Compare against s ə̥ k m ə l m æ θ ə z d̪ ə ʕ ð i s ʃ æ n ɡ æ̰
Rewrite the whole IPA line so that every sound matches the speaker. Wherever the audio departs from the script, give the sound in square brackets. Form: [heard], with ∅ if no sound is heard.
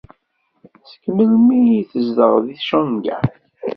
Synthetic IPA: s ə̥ k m ə l m [i] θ ə z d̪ ə [ʁ] ð i [θ] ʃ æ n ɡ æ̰